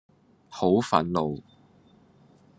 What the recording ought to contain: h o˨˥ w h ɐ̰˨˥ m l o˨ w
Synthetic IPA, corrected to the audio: h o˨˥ w f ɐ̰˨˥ n l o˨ w